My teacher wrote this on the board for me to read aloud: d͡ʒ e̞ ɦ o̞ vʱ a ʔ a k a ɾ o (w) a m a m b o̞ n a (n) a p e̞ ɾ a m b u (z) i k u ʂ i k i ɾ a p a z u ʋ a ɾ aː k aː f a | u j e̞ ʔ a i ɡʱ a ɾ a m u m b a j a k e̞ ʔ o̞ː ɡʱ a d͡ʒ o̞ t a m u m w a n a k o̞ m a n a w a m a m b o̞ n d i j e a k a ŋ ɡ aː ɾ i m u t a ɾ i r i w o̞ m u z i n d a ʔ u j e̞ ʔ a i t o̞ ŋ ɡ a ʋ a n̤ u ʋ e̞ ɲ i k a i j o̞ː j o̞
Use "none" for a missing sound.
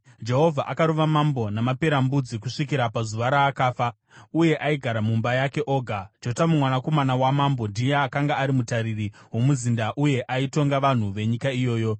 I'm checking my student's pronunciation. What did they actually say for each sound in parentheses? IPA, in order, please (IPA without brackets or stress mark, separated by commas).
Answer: ʋ, m, d͡z